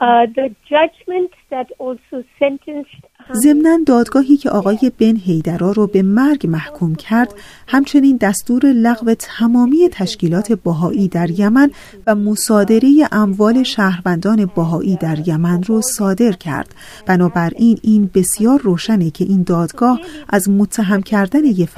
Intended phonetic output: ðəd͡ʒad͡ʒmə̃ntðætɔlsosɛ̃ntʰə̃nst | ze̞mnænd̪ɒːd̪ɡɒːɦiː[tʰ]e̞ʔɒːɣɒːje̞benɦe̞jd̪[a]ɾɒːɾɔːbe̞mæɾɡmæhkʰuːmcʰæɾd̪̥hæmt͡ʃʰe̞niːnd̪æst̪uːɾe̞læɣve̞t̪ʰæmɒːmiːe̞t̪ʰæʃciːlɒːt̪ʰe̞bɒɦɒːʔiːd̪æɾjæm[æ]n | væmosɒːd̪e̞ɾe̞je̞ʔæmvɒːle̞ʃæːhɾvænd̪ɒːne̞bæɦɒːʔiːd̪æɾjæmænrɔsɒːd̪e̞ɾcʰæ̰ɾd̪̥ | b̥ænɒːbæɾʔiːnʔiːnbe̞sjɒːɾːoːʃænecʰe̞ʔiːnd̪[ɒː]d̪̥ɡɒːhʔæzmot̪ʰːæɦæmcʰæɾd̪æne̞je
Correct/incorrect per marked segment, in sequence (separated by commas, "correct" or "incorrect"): incorrect, incorrect, correct, correct